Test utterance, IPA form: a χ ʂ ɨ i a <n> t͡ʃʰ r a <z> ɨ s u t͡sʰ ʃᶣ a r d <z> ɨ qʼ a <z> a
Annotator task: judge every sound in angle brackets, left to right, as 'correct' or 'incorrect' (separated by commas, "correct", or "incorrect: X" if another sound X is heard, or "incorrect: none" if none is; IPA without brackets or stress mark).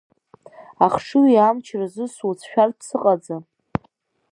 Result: incorrect: m, correct, incorrect: s, incorrect: d͡z